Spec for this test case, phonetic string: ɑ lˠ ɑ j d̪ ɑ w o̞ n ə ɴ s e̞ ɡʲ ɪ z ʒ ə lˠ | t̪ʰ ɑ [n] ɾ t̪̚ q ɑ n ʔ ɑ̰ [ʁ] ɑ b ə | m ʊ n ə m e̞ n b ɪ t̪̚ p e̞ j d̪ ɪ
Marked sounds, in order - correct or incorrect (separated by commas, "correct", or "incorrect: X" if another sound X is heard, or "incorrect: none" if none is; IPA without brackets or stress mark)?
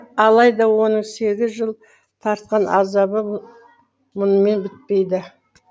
incorrect: none, incorrect: z